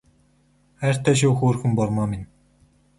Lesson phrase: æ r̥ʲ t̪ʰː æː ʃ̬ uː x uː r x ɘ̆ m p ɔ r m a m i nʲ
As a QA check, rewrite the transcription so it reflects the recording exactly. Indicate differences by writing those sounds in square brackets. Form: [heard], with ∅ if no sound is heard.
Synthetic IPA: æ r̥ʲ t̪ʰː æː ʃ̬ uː x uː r x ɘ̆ m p ɔ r m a m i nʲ

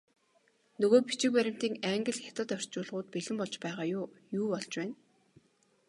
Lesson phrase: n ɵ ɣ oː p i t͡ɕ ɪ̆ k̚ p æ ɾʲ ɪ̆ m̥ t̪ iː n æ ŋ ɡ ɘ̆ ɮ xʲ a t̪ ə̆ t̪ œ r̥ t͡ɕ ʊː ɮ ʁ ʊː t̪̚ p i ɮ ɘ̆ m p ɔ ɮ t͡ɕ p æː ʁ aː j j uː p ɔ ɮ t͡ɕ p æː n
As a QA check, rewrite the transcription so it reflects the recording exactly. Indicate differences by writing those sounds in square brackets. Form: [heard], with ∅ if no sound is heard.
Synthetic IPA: n ɵ ɣ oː p i t͡ɕ ɪ̆ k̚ p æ ɾʲ ɪ̆ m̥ t̪ iː [ŋ] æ ŋ ɡ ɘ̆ ɮ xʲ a t̪ ə̆ t̪ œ r̥ t͡ɕ ʊː ɮ ʁ ʊː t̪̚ p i ɮ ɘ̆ m p ɔ ɮ t͡ɕ p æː ʁ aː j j uː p ɔ ɮ t͡ɕ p æː n

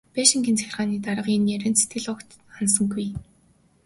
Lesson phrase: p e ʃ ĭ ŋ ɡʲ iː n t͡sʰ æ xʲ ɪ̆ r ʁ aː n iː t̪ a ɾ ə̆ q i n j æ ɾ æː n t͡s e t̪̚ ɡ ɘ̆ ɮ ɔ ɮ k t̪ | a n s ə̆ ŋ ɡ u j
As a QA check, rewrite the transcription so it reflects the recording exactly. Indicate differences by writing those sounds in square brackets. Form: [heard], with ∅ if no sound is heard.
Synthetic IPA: p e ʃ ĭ ŋ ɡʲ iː n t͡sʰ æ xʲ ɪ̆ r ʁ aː n iː t̪ a ɾ ə̆ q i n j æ ɾ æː n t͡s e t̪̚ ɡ ɘ̆ ɮ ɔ [∅] k t̪ | a n s ə̆ ŋ ɡ u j

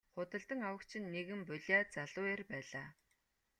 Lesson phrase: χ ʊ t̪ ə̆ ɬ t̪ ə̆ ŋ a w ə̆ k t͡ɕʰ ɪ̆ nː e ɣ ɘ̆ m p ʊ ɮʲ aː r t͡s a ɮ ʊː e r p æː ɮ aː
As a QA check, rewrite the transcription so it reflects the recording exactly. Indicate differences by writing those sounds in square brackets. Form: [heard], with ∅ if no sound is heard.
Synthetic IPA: χ ʊ t̪ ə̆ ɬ t̪ ə̆ ŋ a w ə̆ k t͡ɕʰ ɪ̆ nː e ɣ ɘ̆ m p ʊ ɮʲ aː [∅] t͡s a ɮ ʊː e r p æː ɮ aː

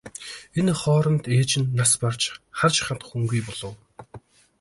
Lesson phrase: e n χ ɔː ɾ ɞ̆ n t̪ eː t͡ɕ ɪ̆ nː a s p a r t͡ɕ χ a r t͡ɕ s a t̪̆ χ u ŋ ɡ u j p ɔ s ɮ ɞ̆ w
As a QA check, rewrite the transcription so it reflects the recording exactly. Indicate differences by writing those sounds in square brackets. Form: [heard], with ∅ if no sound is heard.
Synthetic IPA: e n χ ɔː ɾ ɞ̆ n t̪ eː t͡ɕ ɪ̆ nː a s p a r t͡ɕ χ a r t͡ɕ [χ] a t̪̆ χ u ŋ ɡ u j p ɔ [∅] ɮ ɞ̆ w

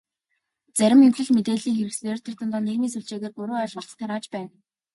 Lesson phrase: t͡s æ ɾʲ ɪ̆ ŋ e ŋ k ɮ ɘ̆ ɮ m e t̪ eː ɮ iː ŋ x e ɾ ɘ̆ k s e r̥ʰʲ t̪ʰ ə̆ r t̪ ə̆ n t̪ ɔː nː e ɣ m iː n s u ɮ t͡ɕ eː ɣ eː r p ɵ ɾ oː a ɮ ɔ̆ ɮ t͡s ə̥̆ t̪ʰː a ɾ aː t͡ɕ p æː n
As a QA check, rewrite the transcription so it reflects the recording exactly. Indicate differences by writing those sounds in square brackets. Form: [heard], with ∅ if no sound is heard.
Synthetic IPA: t͡s æ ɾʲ ɪ̆ [m] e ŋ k ɮ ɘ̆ ɮ m e t̪ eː ɮ iː ŋ x e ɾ ɘ̆ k s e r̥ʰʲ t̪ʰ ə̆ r t̪ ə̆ n t̪ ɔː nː e ɣ m iː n s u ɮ t͡ɕ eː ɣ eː r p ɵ ɾ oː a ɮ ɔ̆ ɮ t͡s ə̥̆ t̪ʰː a ɾ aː t͡ɕ p æː n

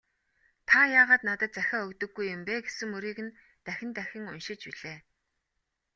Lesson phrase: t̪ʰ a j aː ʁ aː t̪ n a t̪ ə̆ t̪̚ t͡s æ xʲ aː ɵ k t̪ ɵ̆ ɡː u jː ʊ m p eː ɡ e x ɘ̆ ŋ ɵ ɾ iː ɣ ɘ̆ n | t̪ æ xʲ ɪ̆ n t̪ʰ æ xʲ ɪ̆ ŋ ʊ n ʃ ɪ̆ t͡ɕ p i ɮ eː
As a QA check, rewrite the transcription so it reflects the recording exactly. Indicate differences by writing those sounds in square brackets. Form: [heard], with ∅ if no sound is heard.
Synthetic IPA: t̪ʰ a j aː ʁ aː t̪ n a t̪ ə̆ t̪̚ t͡s æ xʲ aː ɵ k t̪ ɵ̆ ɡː u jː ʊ m p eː ɡ e [s] ɘ̆ ŋ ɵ ɾ iː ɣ ɘ̆ n | t̪ æ xʲ ɪ̆ n [t̪] æ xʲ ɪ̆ ŋ ʊ n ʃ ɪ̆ t͡ɕ p i ɮ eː

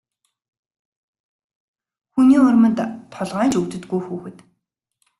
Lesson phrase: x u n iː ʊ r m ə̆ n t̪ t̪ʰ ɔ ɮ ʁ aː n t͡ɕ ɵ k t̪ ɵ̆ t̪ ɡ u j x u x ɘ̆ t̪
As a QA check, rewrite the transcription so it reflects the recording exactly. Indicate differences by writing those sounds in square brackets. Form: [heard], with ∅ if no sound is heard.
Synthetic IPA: x u n iː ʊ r m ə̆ n t̪ t̪ʰ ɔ ɮ ʁ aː n t͡ɕ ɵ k t̪ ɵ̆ t̪ ɡ u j x [uː] x ɘ̆ t̪

